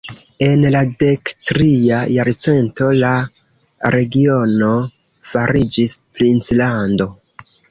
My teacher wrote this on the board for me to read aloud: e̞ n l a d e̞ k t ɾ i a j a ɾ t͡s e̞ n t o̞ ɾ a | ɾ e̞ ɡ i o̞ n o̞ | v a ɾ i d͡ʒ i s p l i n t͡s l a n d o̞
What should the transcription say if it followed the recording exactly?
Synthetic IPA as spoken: e̞ n l a d e̞ k t ɾ i a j a ɾ t͡s e̞ n t o̞ l a | ɾ e̞ ɡ i o̞ n o̞ | f a ɾ i d͡ʒ i s p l i n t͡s l a n d o̞